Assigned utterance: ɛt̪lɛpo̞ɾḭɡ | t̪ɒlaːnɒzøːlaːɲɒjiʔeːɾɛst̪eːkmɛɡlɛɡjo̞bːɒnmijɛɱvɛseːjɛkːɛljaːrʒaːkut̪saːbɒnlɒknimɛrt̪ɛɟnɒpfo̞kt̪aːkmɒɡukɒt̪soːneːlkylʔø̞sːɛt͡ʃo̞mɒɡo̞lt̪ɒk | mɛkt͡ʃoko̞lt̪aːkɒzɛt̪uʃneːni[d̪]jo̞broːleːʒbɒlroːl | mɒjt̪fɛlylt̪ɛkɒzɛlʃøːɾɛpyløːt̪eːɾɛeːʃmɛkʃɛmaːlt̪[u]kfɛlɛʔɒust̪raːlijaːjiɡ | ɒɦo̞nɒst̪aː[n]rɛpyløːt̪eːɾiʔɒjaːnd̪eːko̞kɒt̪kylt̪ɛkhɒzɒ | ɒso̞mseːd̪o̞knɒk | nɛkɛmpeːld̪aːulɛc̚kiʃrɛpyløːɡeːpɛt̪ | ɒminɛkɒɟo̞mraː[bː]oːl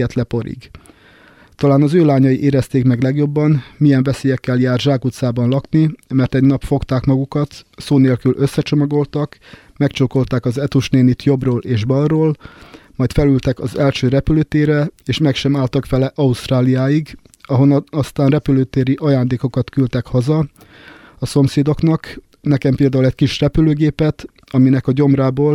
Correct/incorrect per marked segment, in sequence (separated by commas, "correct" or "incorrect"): incorrect, incorrect, correct, incorrect